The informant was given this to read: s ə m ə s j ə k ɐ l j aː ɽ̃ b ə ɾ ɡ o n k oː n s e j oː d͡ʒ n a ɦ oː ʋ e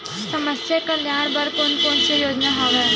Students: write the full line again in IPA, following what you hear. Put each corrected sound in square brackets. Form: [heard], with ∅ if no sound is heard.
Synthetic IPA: s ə m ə s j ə k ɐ l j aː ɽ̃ b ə ɾ [k] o n k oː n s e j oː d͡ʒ n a ɦ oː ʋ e